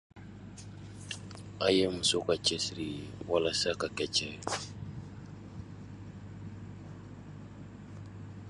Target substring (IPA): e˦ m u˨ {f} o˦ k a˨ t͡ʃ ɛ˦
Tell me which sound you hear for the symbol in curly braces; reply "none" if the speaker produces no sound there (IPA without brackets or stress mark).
s